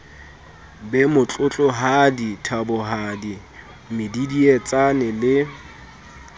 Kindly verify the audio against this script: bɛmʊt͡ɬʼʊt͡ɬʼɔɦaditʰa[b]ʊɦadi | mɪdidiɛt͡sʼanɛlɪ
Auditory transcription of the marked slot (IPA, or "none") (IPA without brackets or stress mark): b